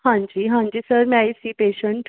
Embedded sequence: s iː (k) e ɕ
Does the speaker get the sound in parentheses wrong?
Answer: yes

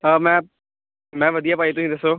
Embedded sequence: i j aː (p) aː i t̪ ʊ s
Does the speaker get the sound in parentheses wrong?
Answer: no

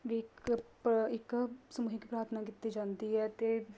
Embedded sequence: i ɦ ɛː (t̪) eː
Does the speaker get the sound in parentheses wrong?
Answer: no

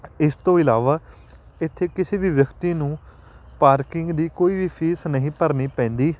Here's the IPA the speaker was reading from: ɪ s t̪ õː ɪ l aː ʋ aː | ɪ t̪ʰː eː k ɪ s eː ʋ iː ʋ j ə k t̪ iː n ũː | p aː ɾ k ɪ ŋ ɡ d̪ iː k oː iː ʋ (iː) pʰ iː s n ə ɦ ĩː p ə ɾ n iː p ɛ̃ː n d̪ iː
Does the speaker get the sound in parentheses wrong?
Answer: no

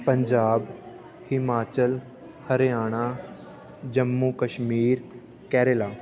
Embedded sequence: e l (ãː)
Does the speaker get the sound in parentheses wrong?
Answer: yes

